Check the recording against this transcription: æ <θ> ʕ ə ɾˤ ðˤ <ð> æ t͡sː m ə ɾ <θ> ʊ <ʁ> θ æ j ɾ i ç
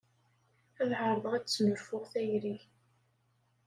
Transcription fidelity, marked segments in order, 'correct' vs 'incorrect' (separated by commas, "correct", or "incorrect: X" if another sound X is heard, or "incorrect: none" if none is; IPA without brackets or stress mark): incorrect: ð, incorrect: ʁ, incorrect: f, correct